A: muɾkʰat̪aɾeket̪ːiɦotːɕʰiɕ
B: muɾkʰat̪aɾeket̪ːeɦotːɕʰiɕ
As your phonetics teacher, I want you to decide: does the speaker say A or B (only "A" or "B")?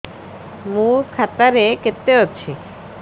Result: B